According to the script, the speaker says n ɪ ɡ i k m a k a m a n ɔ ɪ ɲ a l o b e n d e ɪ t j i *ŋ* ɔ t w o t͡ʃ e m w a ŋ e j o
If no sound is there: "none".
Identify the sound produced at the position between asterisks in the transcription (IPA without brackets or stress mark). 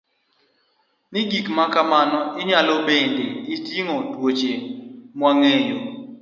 ŋ